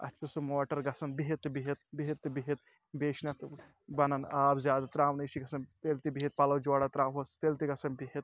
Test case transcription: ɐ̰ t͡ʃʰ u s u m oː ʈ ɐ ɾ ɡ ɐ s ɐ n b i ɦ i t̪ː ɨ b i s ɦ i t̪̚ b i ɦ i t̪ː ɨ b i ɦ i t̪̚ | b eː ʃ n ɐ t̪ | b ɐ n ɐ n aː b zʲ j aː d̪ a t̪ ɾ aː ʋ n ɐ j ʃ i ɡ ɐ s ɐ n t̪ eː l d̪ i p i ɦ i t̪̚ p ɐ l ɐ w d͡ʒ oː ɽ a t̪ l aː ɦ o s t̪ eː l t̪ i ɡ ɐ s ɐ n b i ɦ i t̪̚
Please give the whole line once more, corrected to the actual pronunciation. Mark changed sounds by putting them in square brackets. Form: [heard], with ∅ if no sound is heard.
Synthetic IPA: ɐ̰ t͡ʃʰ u s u m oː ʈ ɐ ɾ ɡ ɐ s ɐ n b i ɦ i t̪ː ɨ b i [∅] ɦ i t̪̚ b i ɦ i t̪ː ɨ b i ɦ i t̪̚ | b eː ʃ n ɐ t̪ | b ɐ n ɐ n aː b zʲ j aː d̪ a t̪ ɾ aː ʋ n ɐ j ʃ i ɡ ɐ s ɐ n t̪ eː l [t̪] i [b] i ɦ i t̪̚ p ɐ l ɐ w d͡ʒ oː ɽ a t̪ [ɾ] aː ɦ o s t̪ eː l t̪ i ɡ ɐ s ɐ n b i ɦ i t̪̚